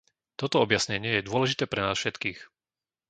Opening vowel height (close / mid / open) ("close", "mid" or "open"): mid